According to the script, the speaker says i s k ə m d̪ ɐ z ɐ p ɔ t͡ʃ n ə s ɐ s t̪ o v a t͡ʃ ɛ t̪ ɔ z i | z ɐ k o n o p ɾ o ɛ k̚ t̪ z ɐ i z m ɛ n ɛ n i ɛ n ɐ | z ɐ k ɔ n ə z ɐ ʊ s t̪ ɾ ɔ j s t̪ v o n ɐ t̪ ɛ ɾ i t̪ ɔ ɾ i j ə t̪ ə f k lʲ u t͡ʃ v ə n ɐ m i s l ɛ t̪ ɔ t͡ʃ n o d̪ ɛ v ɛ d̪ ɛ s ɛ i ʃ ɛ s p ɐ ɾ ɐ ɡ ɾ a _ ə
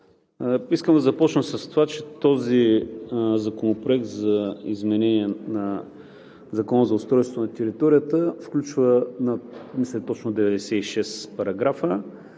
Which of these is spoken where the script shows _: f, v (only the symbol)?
f